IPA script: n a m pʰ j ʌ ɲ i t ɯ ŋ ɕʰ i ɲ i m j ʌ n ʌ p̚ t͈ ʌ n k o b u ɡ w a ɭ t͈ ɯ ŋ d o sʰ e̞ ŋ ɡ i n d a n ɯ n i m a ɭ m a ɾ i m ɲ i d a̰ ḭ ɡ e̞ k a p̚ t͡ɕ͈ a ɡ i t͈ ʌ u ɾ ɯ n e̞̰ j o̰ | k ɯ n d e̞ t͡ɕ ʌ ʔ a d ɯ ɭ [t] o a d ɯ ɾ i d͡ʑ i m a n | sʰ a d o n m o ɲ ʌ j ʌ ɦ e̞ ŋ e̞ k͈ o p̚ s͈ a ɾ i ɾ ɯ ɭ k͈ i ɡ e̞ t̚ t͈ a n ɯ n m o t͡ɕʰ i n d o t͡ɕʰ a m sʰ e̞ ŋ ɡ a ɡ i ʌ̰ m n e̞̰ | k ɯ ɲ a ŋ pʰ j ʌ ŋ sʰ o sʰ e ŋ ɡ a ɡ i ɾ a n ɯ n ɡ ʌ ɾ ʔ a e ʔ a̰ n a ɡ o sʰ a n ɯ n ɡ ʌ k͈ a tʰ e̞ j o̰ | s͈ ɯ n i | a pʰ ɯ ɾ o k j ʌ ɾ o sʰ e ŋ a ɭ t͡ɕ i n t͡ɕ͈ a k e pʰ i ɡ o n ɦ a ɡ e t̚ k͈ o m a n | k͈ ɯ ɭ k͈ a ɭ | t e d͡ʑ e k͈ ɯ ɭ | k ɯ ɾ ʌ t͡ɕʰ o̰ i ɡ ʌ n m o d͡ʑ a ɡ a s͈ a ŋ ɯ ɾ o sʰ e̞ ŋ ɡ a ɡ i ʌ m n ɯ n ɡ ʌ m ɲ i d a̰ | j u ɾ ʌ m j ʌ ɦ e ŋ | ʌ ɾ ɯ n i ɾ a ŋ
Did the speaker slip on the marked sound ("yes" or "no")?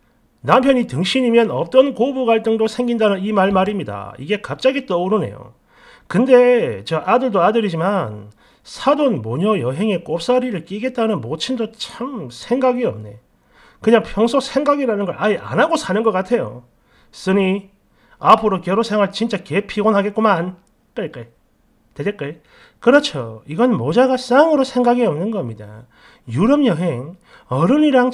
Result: yes